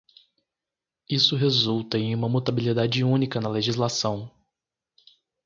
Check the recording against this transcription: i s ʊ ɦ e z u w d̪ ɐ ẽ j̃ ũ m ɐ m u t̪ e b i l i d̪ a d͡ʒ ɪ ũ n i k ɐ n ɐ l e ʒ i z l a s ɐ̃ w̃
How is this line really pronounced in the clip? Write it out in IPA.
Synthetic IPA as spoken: i s ʊ ɦ e z u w t̪ ɐ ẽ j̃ ũ m ɐ m u t̪ a b i l i d̪ a d͡ʒ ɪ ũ n i k ɐ n ɐ l e ʒ i z l a s ɐ̃ w̃